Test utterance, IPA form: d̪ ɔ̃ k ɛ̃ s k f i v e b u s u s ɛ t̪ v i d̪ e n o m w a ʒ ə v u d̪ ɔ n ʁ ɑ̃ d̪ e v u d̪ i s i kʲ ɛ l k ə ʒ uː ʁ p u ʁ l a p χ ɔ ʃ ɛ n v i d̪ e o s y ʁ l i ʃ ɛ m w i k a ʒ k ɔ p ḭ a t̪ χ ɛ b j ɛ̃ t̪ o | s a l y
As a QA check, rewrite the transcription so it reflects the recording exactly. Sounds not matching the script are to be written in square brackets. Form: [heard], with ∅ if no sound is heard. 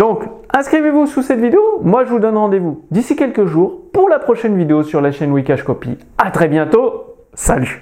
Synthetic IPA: d̪ ɔ̃ k ɛ̃ s k [χ] i v e [v] u s u s ɛ t̪ v i d̪ e [∅] o m w a ʒ ə v u d̪ ɔ n ʁ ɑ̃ d̪ e v u d̪ i s i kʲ ɛ l k ə ʒ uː ʁ p u ʁ l a p χ ɔ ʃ ɛ n v i d̪ e o s y ʁ l [a] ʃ ɛ [n] w i k a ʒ k ɔ p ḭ a t̪ χ ɛ b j ɛ̃ t̪ o | s a l y